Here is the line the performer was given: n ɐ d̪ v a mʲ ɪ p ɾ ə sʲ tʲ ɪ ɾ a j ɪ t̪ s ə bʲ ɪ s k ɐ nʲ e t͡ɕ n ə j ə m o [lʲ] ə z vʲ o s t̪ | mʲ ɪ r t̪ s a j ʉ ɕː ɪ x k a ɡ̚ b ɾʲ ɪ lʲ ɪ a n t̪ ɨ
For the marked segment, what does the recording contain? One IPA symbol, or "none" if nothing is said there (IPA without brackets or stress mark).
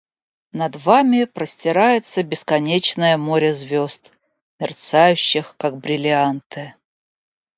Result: ɾʲ